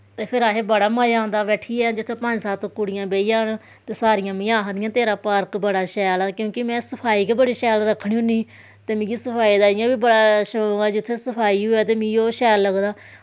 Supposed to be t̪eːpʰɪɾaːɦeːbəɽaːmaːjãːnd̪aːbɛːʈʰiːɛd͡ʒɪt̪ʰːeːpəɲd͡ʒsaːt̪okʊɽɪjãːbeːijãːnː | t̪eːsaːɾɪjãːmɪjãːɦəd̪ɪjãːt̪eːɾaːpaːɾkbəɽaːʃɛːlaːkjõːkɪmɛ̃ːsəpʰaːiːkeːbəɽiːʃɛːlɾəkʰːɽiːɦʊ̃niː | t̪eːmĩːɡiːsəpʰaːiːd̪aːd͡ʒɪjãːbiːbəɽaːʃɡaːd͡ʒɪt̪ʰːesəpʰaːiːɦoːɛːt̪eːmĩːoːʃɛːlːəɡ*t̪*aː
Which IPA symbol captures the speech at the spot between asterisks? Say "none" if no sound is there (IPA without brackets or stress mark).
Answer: d̪